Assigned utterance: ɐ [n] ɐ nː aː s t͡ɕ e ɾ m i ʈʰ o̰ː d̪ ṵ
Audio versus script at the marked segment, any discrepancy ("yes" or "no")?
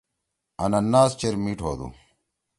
no